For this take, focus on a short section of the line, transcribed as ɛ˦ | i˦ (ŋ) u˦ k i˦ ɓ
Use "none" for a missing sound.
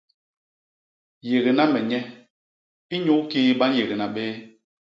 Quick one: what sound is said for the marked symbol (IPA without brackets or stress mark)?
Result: ɲ